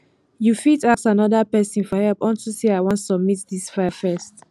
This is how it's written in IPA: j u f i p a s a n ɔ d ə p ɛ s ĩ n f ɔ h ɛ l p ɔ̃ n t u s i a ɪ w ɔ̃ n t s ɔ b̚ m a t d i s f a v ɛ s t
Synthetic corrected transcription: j u f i t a s a n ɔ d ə p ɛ s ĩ n f ɔ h ɛ l p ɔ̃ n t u s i a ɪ w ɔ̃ n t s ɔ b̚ m i t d i s f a f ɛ s t